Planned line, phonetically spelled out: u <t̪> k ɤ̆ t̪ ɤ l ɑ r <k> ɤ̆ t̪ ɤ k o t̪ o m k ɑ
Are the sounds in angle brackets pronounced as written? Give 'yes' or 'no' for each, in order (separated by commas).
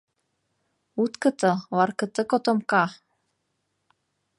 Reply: yes, yes